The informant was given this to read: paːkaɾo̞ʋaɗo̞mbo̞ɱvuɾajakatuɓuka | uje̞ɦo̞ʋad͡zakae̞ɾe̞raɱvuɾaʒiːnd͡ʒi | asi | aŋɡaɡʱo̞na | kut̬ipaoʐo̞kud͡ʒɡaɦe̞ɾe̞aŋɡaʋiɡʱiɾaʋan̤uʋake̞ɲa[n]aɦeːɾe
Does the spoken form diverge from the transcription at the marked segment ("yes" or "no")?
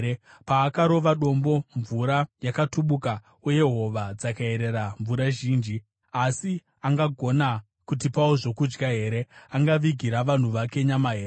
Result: yes